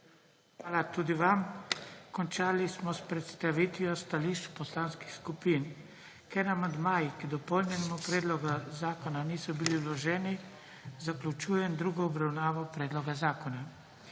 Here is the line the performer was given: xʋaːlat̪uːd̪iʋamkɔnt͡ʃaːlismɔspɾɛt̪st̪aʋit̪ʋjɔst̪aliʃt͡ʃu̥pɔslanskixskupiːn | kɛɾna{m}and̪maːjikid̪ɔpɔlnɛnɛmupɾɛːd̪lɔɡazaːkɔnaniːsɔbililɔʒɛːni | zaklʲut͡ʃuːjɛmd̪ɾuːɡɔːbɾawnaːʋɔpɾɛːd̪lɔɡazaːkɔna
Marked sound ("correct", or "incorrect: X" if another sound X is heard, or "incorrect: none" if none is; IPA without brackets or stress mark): correct